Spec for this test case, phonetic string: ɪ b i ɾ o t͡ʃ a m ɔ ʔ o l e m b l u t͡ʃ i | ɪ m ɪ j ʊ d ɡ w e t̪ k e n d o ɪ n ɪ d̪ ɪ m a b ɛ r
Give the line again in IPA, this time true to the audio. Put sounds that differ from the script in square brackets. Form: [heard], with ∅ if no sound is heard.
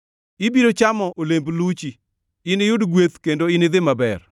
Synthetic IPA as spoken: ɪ b i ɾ o t͡ʃ a m ɔ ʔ o l e m b l u t͡ʃ i | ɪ [n] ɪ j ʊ d ɡ w e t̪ k e n d o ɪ n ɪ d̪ ɪ m a b ɛ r